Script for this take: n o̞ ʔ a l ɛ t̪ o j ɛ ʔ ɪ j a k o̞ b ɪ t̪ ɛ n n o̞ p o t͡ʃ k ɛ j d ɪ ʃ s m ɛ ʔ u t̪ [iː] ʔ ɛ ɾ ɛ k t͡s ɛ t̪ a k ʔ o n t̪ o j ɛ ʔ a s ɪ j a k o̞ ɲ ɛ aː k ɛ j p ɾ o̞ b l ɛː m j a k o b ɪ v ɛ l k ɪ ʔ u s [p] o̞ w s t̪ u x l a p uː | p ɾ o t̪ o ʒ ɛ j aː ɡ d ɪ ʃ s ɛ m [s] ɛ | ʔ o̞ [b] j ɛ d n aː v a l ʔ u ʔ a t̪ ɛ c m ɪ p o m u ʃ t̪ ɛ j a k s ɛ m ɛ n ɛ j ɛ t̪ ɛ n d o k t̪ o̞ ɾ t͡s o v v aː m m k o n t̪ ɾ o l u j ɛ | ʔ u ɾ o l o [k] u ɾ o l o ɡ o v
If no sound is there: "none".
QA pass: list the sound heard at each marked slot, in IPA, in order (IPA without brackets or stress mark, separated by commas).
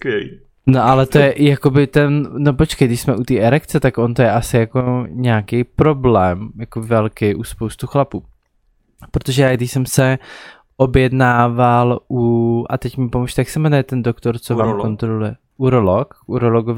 iː, p, s, b, k